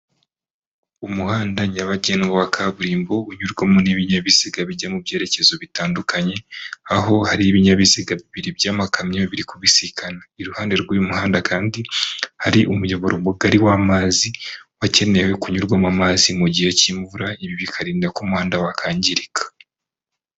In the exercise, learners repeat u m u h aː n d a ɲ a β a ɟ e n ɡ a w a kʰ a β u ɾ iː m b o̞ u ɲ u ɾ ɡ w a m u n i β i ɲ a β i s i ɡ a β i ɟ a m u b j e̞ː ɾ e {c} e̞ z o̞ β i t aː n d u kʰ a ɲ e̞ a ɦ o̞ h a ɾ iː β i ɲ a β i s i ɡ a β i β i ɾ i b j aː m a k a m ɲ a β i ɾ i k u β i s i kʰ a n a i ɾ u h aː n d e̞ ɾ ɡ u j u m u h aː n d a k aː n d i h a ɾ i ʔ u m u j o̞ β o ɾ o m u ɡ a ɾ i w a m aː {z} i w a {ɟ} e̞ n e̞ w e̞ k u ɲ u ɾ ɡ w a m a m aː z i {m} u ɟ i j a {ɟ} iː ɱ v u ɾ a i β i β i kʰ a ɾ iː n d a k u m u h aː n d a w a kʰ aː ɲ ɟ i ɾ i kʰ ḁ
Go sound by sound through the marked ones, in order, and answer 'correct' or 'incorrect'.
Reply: correct, correct, incorrect: c, correct, incorrect: c

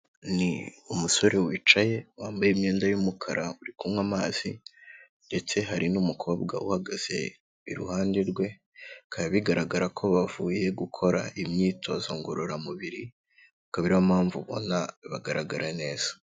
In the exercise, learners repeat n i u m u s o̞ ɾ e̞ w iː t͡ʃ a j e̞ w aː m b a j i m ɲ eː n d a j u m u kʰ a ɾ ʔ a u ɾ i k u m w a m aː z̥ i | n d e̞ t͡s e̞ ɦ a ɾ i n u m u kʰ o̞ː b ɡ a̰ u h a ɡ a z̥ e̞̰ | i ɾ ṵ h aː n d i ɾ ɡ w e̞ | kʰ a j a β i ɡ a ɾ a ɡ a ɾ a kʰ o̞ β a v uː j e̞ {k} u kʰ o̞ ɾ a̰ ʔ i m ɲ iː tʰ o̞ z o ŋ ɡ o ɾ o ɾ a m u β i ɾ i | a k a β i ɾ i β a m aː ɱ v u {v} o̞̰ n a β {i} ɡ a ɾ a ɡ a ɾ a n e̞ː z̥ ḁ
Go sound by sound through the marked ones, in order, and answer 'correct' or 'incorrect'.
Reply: incorrect: ɡ, incorrect: β, incorrect: a

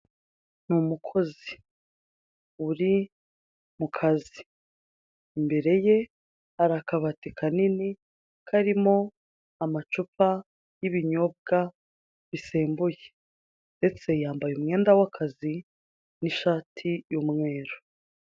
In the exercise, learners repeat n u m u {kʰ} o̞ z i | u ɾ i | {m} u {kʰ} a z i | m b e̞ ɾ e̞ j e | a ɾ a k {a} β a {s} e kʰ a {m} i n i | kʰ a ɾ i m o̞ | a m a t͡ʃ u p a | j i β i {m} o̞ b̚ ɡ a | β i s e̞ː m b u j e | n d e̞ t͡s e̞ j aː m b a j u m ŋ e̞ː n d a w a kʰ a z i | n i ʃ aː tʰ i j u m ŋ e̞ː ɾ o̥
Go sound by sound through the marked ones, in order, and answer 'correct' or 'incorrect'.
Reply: correct, correct, correct, correct, incorrect: t, incorrect: n, incorrect: ɲ

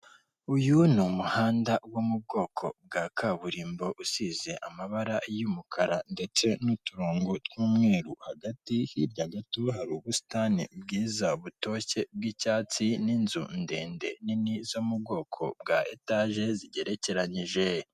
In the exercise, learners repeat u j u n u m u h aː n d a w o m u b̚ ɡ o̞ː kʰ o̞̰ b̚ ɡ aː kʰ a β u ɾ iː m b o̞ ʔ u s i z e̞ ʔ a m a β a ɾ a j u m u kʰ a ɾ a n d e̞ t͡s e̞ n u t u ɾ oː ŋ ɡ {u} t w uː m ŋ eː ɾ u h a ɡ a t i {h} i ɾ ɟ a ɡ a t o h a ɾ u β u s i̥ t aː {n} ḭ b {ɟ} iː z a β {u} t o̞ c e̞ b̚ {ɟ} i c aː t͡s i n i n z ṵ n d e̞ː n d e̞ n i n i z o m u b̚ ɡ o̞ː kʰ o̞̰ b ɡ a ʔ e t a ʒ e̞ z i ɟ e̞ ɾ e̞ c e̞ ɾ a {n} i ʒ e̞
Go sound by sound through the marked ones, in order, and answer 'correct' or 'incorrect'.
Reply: incorrect: o, correct, correct, incorrect: ɡ, correct, incorrect: ɡ, incorrect: ɲ

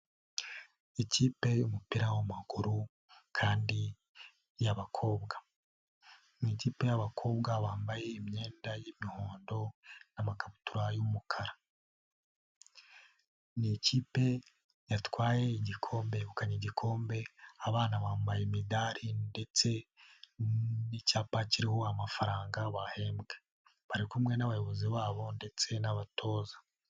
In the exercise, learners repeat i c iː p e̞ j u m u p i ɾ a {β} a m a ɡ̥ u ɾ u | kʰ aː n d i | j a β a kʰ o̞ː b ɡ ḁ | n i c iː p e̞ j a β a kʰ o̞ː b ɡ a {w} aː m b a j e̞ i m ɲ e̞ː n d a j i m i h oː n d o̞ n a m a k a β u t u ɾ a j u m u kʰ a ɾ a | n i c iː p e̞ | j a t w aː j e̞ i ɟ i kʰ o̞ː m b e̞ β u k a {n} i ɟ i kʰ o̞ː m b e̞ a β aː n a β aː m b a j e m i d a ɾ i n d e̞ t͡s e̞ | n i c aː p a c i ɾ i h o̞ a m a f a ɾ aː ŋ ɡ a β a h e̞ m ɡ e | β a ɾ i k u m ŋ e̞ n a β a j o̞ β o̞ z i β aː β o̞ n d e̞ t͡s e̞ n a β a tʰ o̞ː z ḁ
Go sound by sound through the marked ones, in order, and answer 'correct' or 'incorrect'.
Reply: incorrect: w, incorrect: β, incorrect: ɲ

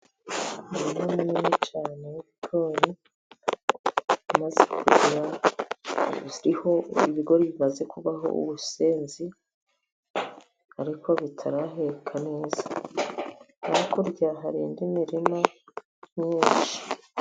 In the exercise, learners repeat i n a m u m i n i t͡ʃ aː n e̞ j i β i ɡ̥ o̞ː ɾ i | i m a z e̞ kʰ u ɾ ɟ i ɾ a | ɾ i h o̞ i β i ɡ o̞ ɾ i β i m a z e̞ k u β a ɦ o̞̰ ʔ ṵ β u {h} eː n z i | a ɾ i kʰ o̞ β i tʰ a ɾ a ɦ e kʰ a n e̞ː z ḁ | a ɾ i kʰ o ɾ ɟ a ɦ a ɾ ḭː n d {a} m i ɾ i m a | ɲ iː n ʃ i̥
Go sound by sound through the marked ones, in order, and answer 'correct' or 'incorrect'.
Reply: incorrect: s, incorrect: i

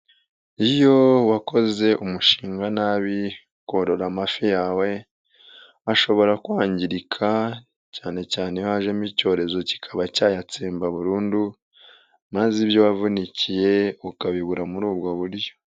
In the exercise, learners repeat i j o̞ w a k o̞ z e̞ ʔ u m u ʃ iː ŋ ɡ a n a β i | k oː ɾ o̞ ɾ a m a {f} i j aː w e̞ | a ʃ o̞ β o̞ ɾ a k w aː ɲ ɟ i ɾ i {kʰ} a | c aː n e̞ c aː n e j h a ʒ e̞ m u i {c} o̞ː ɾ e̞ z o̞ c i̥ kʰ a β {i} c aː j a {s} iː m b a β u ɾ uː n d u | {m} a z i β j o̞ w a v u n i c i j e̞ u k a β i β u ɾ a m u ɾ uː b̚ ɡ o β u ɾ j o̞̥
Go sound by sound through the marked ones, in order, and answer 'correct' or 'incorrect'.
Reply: correct, correct, correct, incorrect: a, incorrect: t͡s, correct

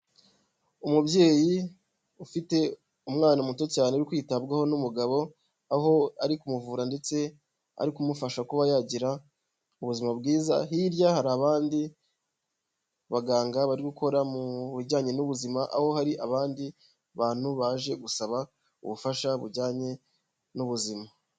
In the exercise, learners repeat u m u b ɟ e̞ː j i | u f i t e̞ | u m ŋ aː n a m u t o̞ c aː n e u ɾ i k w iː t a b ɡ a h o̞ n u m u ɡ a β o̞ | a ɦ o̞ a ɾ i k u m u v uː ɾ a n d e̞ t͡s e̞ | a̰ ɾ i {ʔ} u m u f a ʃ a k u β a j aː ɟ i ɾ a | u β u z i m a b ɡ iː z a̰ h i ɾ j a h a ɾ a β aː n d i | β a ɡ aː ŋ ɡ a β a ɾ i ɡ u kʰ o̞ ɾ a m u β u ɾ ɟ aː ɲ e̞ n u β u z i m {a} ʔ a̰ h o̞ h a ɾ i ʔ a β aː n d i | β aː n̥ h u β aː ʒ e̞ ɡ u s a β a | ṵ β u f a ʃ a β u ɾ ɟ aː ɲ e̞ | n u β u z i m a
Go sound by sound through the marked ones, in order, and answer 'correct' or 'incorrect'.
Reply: incorrect: k, correct

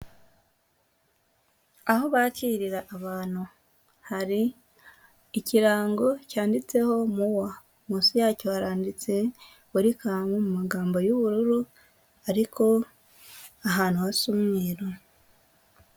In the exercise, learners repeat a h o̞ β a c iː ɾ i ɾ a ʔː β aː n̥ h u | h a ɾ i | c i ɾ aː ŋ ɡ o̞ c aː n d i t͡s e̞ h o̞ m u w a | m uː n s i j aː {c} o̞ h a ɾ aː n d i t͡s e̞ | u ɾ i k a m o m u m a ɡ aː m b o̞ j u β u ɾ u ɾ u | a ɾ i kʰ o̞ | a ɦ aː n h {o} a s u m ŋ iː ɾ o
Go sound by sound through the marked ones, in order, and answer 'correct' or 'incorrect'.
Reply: correct, incorrect: u

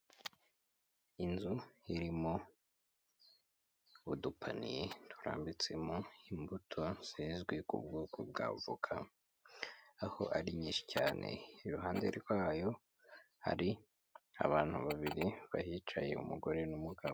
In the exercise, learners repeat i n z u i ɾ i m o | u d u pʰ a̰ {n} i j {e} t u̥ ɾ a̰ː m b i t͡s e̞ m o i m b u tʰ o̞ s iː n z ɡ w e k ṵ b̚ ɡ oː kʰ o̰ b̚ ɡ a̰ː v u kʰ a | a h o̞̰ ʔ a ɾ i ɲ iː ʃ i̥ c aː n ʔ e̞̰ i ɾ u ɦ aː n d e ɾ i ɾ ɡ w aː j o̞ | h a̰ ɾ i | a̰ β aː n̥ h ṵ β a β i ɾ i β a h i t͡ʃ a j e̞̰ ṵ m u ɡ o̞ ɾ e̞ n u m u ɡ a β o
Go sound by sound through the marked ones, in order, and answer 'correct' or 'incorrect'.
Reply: correct, correct

